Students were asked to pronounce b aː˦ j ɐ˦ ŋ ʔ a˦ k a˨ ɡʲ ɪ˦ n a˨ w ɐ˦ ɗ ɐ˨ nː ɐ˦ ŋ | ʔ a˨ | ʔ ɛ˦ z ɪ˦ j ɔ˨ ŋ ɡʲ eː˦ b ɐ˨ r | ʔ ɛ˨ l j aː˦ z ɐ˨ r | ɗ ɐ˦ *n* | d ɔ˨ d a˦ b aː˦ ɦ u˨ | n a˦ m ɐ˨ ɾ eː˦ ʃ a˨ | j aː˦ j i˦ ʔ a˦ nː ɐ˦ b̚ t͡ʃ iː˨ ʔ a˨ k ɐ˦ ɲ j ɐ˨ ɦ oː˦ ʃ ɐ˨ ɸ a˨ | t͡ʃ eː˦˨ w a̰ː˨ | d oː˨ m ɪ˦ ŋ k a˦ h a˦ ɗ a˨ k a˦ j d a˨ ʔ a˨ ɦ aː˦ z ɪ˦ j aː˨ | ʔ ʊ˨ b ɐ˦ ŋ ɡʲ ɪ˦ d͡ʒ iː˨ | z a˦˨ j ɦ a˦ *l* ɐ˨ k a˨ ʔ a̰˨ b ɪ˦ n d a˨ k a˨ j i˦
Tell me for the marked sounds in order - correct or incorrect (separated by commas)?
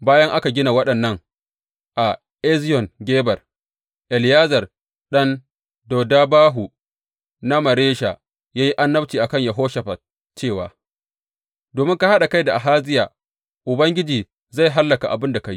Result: correct, incorrect